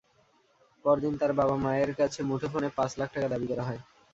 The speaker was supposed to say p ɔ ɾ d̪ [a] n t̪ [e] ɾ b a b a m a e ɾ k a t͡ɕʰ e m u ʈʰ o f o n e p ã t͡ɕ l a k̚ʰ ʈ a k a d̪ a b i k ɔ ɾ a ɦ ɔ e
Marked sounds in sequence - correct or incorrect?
incorrect: i, incorrect: a

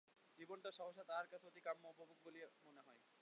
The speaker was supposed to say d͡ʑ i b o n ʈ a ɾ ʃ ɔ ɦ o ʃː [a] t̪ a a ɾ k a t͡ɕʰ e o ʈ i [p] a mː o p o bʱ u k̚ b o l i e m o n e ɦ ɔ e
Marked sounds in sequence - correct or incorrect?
correct, incorrect: k

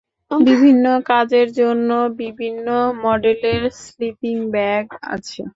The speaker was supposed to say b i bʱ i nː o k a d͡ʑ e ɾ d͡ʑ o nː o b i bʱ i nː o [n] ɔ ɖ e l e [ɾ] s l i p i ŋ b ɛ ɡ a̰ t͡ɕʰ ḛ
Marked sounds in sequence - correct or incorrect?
incorrect: m, correct

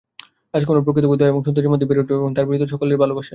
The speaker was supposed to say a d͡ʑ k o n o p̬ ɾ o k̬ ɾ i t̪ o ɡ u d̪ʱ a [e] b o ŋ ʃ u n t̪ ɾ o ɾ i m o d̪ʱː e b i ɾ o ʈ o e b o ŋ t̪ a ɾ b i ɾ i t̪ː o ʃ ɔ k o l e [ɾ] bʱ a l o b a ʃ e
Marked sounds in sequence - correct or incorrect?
correct, correct

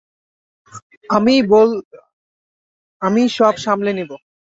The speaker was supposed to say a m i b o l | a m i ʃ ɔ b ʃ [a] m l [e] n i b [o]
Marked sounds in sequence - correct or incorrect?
correct, correct, correct

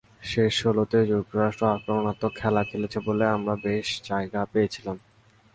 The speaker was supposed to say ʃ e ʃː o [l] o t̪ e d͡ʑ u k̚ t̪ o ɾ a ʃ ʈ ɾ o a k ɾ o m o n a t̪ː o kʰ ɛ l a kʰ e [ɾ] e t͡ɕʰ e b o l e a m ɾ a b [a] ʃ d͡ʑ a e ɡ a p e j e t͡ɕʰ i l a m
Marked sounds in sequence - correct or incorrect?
correct, incorrect: l, incorrect: e

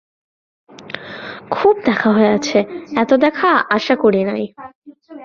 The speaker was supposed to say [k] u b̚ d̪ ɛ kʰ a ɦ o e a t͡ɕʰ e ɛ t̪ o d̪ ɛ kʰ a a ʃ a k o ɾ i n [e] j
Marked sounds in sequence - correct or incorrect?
incorrect: kʰ, incorrect: a

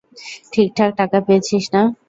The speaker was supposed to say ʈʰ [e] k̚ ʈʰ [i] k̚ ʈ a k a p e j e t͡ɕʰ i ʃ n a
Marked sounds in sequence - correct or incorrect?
incorrect: i, incorrect: a

